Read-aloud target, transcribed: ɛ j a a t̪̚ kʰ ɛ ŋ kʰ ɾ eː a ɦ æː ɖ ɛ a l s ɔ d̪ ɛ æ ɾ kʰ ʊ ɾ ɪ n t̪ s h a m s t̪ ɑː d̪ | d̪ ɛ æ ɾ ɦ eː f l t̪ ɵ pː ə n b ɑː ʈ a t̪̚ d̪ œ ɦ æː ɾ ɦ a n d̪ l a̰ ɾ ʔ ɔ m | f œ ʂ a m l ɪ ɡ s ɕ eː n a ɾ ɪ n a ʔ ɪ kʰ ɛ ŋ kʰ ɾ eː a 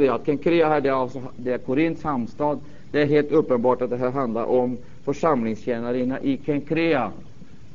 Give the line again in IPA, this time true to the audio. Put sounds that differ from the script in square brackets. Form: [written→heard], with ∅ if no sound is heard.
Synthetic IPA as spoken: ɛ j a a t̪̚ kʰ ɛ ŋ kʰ ɾ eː a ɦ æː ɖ ɛ a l s ɔ d̪ ɛ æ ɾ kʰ ʊ ɾ ɪ n t̪ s h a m s t̪ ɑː d̪ | d̪ ɛ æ ɾ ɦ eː [f→∅] l t̪ ɵ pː ə n b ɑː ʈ a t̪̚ d̪ [œ→ɛ] ɦ æː ɾ ɦ a n d̪ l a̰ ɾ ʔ ɔ m | f œ ʂ a m l ɪ [ɡ→ŋ] s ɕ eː n a ɾ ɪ n a ʔ ɪ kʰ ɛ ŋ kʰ ɾ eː a